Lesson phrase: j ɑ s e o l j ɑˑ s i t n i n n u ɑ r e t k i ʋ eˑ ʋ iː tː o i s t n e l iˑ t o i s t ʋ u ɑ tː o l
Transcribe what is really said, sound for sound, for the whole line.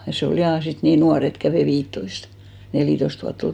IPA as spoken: j ɑ s e o l j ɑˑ s i t n iː n n u ɑ r e t k æ ʋ eˑ ʋ iː tː o i s t n e l iˑ t o i s t ʋ u ɑ tː o l